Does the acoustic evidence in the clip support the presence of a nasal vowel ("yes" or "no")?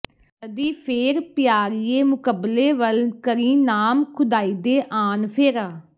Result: no